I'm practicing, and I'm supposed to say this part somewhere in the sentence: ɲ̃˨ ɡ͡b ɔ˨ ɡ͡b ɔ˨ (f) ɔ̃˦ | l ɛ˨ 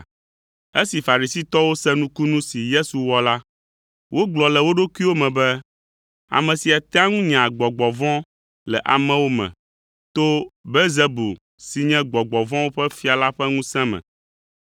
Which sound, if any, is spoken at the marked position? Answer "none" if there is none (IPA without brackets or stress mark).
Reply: v